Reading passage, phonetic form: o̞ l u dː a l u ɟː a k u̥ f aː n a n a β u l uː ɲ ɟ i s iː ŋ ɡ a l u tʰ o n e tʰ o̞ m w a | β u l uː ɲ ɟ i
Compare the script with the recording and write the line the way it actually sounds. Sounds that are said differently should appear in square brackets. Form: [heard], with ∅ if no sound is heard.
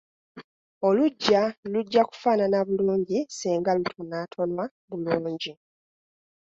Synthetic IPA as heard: o̞ l u [ɟː] a l u ɟː a k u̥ f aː n a n a β u l uː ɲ ɟ i s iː ŋ ɡ a l u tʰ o n [a] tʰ o̞ [n] w a | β u l uː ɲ ɟ i